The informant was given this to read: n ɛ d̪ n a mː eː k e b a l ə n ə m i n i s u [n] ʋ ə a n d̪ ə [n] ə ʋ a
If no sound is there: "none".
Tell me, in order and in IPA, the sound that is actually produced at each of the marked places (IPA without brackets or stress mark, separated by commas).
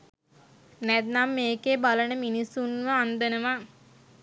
n, n